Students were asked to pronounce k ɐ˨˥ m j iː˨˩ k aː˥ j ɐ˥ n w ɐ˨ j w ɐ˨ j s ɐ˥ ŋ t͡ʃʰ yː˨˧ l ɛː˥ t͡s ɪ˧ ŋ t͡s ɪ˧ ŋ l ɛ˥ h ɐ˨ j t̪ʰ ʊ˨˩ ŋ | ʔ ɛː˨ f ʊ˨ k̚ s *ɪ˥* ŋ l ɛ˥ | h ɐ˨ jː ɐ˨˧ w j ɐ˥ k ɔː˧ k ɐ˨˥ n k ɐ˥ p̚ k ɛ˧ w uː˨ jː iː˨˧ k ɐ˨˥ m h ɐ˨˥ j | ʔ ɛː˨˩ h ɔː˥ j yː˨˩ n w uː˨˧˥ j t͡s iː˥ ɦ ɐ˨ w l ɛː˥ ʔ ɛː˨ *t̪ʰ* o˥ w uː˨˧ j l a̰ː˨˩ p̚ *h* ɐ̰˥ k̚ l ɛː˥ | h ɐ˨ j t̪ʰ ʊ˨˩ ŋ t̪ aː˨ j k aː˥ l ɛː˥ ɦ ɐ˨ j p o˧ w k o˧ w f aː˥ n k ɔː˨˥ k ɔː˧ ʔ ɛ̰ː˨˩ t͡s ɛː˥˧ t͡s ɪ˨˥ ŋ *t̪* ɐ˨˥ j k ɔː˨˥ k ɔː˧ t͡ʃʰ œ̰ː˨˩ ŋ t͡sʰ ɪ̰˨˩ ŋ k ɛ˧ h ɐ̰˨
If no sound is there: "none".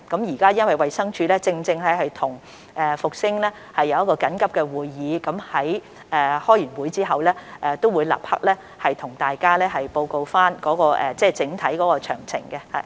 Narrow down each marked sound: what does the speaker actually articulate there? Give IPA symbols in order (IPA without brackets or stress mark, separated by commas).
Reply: ɪ˥, t̪, h, t̪ʰ